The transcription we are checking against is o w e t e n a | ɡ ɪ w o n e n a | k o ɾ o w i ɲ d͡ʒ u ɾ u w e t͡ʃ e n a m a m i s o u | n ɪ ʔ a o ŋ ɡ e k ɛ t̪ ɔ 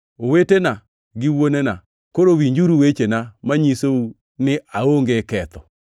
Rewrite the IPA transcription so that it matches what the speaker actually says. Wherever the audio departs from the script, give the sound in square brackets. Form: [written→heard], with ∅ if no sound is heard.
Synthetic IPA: o w e t e n a | ɡ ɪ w o n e n a | k o ɾ o w i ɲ d͡ʒ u ɾ u w e t͡ʃ e n a m a [m→ɲ] i s o u | n ɪ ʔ a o ŋ ɡ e k ɛ t̪ ɔ